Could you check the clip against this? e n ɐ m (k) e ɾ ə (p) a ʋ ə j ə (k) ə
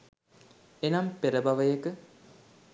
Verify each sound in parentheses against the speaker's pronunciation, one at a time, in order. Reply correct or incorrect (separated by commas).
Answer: incorrect, incorrect, correct